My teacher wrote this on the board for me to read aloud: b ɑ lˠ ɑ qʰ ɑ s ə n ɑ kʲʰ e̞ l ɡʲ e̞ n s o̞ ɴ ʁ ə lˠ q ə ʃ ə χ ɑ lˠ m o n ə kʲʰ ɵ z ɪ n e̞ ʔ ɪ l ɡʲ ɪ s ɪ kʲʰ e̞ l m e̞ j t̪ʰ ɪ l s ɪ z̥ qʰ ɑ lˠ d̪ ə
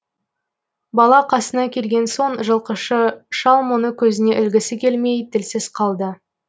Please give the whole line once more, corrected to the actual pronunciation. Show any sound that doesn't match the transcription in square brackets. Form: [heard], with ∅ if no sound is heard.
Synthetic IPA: b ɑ lˠ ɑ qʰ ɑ s ə n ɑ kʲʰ e̞ l ɡʲ e̞ n s o̞ ɴ [ʒ] ə lˠ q ə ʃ ə [ʃ] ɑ lˠ m o n ə kʲʰ ɵ z ɪ n e̞ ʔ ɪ l ɡʲ ɪ s ɪ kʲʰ e̞ l m e̞ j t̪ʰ ɪ l s ɪ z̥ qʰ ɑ lˠ d̪ ə